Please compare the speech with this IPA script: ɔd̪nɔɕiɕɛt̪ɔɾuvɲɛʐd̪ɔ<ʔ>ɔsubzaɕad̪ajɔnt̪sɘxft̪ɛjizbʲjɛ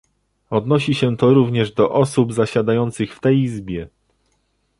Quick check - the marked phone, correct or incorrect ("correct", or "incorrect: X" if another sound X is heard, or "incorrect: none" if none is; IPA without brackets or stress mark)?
correct